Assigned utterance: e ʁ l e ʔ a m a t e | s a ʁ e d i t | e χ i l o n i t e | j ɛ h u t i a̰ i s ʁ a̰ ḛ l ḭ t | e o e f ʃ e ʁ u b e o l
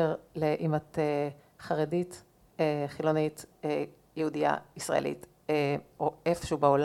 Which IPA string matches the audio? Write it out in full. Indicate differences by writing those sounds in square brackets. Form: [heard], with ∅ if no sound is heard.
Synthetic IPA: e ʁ l e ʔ [i] m a t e | [χ] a ʁ e d i t | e χ i l o n i t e | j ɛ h u [d] i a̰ i s ʁ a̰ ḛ l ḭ t | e o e f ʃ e [∅] u b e o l